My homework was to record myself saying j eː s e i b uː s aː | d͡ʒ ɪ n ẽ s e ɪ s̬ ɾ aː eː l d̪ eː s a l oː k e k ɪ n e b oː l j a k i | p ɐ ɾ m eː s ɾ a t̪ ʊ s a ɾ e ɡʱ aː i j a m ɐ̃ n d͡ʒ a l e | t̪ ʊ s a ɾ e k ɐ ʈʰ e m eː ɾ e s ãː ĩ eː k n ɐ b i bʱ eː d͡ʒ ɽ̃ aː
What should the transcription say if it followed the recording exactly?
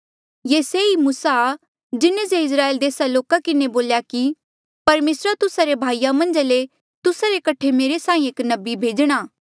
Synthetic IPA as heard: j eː s e i m uː s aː | d͡ʒ ɪ n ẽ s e ɪ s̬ ɾ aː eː l d̪ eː s a l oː k a k ɪ n e b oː l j a k i | p ɐ ɾ m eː s ɾ a t̪ ʊ s a ɾ e bʱ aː i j a m ɐ̃ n d͡ʒ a l e | t̪ ʊ s a ɾ e k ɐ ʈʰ e m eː ɾ e s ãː ĩ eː k n ɐ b i bʱ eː d͡ʒ ɽ̃ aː